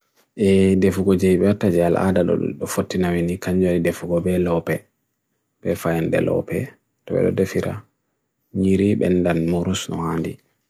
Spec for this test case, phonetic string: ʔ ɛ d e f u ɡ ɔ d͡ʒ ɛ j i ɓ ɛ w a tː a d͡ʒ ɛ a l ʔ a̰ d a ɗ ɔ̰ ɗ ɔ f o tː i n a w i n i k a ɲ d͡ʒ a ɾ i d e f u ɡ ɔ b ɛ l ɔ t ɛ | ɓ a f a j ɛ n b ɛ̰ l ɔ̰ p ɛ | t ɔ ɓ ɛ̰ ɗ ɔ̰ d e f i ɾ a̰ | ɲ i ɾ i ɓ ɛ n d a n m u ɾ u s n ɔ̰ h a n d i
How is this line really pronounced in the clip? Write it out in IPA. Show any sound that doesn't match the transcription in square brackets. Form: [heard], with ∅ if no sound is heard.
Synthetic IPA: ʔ ɛ d e f u ɡ ɔ d͡ʒ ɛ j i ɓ ɛ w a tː a d͡ʒ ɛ a l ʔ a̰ d a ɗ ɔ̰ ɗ ɔ f o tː i n a w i n i k a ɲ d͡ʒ a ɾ i d e f u ɡ ɔ b ɛ l ɔ [p] ɛ | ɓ [ɛ] f a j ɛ n [d] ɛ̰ l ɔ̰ p ɛ | t ɔ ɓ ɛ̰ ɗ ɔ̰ d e f i ɾ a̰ | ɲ i ɾ i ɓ ɛ n d a n m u ɾ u s n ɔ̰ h a n d i